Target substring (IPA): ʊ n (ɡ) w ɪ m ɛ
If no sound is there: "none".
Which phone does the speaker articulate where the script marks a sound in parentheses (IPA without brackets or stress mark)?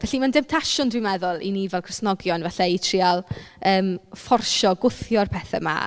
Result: d